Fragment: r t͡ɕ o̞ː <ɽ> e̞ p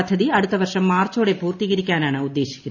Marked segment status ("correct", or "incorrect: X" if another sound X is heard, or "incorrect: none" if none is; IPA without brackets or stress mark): correct